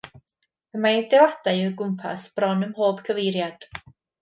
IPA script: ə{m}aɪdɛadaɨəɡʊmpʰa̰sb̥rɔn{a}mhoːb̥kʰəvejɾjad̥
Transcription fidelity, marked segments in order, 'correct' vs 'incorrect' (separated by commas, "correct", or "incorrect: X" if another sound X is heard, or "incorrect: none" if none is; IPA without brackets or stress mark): correct, incorrect: ə